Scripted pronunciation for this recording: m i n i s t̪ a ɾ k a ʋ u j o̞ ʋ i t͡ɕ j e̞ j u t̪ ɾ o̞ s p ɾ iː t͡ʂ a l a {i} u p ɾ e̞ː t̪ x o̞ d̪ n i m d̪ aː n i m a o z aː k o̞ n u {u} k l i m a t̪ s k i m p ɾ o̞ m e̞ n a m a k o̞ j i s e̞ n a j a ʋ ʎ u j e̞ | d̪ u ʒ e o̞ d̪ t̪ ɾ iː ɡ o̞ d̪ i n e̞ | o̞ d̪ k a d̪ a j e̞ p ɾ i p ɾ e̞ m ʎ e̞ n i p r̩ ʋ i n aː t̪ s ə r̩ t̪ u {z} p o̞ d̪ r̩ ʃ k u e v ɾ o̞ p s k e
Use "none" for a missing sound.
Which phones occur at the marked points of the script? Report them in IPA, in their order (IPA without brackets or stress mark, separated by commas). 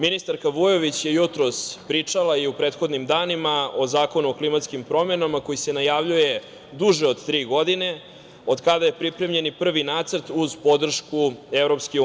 i, o, z